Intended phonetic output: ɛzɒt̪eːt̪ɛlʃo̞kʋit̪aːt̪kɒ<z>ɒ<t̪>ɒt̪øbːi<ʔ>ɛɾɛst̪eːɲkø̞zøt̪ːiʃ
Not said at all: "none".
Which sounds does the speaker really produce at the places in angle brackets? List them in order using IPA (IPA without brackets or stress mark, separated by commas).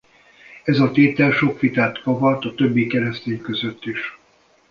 v, t̪, k